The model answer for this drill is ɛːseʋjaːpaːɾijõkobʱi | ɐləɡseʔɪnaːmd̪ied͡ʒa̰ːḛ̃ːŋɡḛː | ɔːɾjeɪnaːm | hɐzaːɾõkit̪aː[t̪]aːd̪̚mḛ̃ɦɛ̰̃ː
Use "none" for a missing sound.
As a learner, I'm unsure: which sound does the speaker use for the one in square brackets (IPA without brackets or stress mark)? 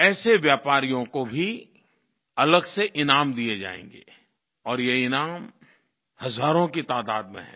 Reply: d̪